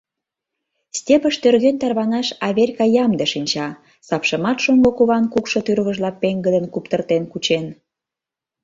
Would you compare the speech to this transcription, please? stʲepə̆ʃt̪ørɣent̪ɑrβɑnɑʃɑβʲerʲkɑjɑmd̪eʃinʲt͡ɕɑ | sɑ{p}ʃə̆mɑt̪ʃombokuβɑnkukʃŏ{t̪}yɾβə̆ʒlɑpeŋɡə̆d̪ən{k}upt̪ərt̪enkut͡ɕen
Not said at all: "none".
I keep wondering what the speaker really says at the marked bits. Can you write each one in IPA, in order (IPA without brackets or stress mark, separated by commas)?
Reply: p, t̪, k